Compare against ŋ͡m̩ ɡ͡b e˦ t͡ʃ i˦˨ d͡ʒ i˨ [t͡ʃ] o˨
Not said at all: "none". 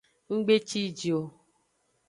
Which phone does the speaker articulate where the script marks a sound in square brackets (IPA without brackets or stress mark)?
none